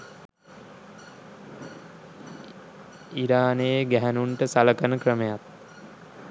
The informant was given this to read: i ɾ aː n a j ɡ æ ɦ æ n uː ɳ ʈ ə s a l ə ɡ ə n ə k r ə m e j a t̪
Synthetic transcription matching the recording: i ɾ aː n e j ɡ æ ɦ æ n u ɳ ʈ ə s a l ə k ə n ə k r ə m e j a t̪